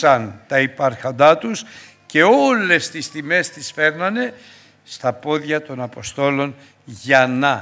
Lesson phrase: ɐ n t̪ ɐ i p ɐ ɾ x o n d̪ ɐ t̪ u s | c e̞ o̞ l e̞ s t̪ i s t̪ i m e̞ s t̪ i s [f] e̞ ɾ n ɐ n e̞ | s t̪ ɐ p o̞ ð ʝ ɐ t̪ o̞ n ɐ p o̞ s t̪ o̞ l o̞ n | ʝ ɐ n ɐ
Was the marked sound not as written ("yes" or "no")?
no